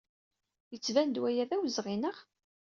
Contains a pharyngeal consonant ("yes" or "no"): no